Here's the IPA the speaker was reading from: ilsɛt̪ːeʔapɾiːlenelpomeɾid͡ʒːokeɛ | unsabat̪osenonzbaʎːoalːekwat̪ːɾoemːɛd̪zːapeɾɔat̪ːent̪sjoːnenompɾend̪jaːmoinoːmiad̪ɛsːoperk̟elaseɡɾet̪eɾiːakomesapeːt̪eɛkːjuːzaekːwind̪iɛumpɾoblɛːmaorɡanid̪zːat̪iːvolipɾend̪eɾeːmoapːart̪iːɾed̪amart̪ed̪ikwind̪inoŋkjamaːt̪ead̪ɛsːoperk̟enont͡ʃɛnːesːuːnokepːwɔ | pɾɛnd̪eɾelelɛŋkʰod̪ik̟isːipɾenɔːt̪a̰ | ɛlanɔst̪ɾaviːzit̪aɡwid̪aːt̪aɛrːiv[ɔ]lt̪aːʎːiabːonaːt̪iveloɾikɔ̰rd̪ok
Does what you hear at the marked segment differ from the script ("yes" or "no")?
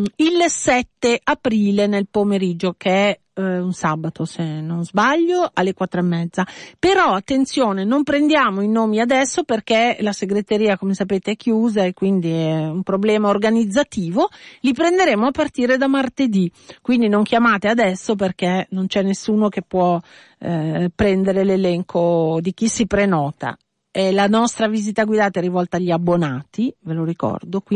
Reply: no